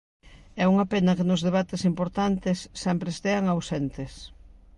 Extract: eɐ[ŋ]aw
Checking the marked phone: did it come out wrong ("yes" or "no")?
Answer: no